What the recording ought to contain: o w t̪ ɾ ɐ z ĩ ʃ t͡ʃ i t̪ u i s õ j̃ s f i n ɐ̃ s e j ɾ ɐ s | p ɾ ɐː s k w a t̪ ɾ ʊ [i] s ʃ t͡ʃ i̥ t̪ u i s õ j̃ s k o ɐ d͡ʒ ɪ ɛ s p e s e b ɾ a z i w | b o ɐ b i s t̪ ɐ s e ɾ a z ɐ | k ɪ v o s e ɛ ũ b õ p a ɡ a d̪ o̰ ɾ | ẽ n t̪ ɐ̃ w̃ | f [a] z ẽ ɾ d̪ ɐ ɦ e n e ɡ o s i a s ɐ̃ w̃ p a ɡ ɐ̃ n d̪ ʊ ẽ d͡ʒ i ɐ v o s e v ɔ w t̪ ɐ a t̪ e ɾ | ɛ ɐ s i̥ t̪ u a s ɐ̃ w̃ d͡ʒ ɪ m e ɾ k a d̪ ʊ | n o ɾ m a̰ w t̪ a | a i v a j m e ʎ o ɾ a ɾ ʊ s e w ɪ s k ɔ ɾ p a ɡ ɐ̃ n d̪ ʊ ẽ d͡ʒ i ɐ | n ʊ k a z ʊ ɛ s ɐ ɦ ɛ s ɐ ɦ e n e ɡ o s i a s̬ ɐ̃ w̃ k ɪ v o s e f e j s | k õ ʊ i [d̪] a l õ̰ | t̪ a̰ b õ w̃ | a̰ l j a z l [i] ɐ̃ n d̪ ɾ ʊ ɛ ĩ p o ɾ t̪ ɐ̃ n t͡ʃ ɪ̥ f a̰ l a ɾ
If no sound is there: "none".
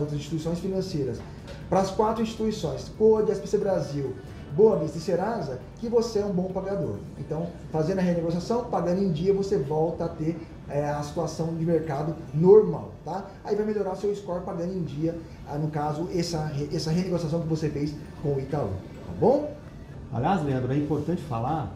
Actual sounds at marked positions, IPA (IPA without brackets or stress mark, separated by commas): ĩ, a, t̪, e